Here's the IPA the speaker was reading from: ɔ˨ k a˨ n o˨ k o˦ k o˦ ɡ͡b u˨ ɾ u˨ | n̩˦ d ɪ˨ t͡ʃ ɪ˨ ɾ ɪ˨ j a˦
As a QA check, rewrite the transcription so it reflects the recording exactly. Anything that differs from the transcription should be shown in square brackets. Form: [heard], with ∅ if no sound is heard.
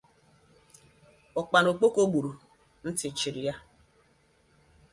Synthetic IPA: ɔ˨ [k͡p] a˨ n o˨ [k͡p] o˦ k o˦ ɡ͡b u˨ ɾ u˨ | n̩˦ [t] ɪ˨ t͡ʃ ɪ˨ ɾ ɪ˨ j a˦